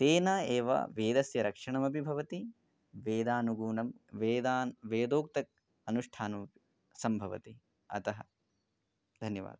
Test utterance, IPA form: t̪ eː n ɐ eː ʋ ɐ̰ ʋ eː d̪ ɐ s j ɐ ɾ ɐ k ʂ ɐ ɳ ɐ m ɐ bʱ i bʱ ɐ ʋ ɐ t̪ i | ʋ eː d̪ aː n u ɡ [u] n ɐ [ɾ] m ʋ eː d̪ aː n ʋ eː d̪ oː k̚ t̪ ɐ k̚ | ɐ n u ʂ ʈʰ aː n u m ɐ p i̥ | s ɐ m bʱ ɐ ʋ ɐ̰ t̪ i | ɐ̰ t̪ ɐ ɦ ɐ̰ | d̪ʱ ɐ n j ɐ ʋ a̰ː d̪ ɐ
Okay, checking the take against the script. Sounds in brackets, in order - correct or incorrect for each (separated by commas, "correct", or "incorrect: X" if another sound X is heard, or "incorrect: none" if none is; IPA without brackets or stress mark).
incorrect: uː, incorrect: none